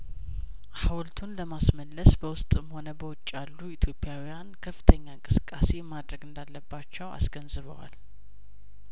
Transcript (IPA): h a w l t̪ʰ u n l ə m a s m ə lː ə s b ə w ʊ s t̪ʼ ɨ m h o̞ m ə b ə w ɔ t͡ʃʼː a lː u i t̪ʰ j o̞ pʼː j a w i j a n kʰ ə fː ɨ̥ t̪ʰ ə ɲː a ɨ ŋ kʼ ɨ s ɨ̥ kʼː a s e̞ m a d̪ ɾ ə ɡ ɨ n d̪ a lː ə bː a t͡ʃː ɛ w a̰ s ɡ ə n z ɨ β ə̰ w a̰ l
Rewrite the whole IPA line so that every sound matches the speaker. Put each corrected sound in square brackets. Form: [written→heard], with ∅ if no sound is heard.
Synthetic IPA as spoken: h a w l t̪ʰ u n l ə m a s m ə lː ə s b ə w ʊ s t̪ʼ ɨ m h o̞ [m→n] ə b ə w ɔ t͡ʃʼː a lː u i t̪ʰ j o̞ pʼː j a w i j a n kʰ ə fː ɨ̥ t̪ʰ ə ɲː a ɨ ŋ kʼ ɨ s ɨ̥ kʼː a s e̞ m a d̪ ɾ ə ɡ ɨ n d̪ a lː ə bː a t͡ʃː ɛ w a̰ s ɡ ə n z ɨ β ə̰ w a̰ l